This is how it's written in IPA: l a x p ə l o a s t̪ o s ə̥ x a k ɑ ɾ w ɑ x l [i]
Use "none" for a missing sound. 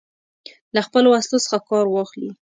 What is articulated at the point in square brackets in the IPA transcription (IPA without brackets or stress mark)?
i